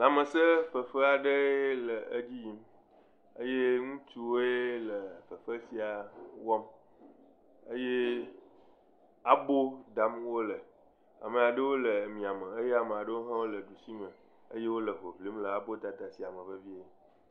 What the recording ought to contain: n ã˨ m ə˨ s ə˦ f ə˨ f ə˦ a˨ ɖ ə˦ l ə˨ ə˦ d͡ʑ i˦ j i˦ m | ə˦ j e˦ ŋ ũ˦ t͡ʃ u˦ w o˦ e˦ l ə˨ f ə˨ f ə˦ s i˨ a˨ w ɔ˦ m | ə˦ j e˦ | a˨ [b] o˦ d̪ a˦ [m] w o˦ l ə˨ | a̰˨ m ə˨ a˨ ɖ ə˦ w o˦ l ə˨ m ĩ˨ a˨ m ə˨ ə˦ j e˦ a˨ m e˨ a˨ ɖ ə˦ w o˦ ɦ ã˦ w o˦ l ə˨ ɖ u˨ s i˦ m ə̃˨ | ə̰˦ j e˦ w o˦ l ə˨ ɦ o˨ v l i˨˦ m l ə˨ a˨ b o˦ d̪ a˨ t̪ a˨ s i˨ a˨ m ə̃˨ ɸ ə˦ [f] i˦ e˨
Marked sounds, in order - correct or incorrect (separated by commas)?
correct, correct, incorrect